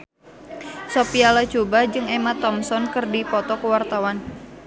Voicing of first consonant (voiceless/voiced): voiceless